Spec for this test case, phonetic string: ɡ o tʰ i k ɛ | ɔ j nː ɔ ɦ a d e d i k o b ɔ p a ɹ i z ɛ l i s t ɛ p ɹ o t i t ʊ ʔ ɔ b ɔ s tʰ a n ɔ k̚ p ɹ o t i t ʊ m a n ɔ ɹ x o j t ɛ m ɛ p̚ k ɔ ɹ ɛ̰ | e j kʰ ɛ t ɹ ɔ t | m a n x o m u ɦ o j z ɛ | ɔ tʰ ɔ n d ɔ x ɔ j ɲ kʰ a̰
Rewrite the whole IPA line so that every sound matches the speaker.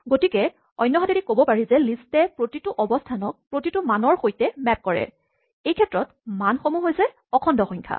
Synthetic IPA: ɡ o t i k ɛ | ɔ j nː ɔ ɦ a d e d i k o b ɔ p a ɹ i z ɛ l i s t ɛ p ɹ o t i t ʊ ʔ ɔ b ɔ s tʰ a n ɔ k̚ p ɹ o t i t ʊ m a n ɔ ɹ x o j t ɛ m ɛ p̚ k ɔ ɹ ɛ̰ | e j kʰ ɛ t ɹ ɔ t | m a n x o m u ɦ o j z ɛ | ɔ kʰ ɔ n d ɔ x ɔ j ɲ kʰ a̰